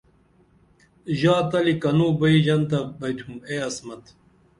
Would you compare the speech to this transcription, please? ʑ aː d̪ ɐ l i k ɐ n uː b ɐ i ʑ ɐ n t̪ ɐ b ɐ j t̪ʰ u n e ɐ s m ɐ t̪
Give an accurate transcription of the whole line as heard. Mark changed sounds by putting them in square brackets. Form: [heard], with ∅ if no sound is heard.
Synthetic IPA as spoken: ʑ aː [t̪] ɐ l i k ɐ n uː b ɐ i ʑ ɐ n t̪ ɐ b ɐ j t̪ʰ u [m] e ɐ s m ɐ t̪